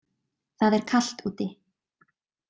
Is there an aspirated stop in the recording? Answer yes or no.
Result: yes